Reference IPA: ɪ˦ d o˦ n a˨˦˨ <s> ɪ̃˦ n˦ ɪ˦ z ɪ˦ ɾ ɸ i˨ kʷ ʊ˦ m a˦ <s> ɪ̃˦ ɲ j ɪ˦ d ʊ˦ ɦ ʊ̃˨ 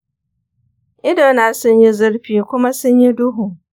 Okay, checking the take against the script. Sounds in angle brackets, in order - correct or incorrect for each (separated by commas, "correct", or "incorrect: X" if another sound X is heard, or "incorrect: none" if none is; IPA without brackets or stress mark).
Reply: correct, correct